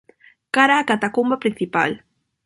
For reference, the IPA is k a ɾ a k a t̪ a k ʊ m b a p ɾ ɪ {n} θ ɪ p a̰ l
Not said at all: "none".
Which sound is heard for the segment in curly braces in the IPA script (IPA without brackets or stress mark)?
n